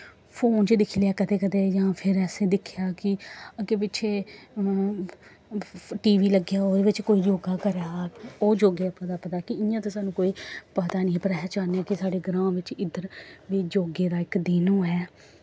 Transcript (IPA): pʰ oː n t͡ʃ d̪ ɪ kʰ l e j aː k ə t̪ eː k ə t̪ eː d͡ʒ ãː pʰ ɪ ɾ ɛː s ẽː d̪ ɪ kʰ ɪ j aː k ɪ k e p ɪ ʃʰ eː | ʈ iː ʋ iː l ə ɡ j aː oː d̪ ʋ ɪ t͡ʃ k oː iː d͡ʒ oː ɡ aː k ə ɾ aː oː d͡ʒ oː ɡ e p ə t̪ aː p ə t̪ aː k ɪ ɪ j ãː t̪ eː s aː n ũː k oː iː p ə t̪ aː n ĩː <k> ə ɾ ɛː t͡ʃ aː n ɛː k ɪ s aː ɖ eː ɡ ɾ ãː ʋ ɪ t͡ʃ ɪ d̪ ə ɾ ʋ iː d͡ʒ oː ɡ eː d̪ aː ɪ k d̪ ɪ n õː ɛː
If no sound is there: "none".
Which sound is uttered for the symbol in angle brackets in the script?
p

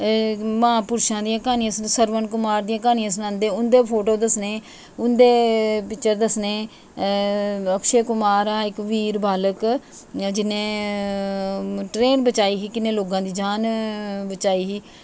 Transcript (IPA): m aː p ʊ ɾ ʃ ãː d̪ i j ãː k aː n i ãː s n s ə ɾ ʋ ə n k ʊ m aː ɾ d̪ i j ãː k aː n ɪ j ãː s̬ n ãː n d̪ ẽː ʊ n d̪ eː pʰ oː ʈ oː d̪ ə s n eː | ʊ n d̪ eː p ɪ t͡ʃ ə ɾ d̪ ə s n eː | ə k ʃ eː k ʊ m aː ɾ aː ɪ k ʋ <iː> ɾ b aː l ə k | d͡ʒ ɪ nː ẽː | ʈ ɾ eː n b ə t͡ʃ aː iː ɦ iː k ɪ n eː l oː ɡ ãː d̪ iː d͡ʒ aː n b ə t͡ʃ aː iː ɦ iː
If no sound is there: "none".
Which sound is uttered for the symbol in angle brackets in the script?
iː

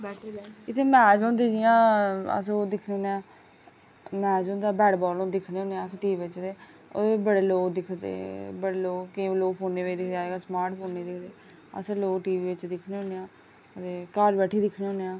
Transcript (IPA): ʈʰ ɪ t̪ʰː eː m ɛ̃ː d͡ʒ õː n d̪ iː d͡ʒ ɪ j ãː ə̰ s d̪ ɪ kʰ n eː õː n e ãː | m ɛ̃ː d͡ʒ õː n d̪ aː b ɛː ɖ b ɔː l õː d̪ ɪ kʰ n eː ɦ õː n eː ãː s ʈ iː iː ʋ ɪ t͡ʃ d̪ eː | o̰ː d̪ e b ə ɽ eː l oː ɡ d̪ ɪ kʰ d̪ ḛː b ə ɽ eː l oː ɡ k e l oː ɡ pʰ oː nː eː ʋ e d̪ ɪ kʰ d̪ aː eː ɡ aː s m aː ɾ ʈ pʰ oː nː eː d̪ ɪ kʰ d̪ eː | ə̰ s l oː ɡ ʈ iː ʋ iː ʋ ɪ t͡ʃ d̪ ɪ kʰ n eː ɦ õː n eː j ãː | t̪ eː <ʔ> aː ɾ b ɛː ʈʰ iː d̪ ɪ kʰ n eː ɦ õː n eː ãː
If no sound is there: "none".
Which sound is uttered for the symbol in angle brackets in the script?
k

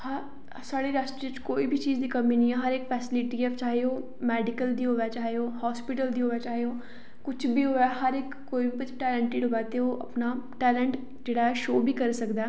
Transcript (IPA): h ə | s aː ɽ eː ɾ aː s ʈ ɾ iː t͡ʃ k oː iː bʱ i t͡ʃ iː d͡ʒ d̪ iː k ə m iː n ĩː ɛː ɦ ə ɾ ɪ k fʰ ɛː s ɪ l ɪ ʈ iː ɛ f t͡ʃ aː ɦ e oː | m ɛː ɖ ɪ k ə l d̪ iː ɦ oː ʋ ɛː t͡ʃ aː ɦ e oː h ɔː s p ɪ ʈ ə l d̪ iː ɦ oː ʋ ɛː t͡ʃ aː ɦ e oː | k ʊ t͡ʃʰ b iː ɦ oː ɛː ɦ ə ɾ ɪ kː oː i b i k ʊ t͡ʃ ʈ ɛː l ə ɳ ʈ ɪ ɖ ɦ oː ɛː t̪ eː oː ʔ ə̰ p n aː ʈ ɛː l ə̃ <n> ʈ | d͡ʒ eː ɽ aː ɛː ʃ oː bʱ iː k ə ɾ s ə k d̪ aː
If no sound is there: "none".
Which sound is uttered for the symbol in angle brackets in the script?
ɳ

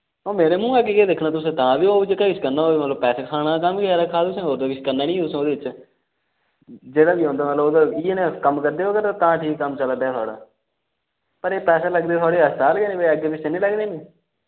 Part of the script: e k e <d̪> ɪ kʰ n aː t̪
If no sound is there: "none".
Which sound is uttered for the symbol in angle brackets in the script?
d̪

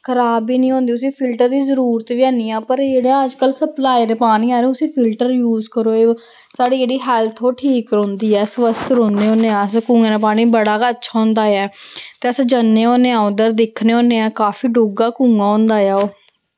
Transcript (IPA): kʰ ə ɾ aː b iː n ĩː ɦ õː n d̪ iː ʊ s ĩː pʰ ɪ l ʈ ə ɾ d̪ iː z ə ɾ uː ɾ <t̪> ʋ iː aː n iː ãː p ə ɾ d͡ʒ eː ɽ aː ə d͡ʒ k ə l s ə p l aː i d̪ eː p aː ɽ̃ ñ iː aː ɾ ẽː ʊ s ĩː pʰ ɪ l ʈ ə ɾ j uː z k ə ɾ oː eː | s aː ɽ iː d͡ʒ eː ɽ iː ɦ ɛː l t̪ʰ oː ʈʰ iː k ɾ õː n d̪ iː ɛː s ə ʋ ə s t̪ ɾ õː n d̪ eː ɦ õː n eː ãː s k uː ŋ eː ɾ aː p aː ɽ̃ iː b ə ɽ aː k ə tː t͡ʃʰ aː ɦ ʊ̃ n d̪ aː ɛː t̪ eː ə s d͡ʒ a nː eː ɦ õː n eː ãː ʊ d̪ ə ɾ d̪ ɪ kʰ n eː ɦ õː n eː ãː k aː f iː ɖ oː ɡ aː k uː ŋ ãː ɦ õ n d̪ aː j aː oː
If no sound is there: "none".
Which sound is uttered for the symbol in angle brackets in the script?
t̪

